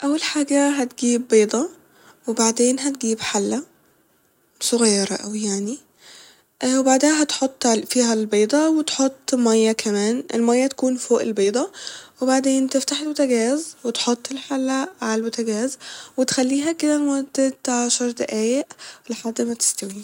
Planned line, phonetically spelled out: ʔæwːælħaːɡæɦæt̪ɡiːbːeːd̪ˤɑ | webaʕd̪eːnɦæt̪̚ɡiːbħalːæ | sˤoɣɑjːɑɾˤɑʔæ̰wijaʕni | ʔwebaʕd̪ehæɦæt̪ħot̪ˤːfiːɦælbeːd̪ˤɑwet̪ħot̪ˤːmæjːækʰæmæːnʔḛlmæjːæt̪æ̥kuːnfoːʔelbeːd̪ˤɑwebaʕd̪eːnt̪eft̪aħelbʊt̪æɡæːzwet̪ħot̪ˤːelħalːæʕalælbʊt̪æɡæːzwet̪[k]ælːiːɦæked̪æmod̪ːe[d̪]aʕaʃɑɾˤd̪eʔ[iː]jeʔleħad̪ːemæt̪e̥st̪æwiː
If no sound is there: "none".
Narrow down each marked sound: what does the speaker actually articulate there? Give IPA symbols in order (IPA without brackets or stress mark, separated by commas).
x, t̪, æː